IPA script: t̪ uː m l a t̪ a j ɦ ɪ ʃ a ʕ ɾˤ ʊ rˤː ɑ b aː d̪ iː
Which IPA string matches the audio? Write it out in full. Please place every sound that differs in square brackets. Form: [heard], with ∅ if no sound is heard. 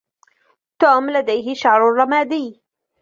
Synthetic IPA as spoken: t̪ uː m l a [d̪] a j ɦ ɪ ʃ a ʕ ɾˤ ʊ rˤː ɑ [m] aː d̪ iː